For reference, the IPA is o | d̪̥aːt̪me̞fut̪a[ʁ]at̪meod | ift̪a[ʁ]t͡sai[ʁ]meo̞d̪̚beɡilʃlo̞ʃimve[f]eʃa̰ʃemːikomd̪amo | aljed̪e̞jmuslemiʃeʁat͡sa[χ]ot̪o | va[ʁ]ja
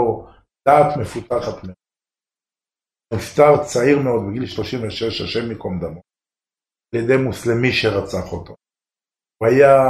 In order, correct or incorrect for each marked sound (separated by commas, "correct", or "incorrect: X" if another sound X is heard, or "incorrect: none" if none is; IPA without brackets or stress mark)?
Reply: incorrect: χ, correct, correct, incorrect: ʃ, correct, incorrect: none